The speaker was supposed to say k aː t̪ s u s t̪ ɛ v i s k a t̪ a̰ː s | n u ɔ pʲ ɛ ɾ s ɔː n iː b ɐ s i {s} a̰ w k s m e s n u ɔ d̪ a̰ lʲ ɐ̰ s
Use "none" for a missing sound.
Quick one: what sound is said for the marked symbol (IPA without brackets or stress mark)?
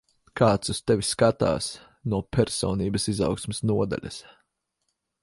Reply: z